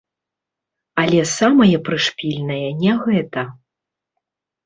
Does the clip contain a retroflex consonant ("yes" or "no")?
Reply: yes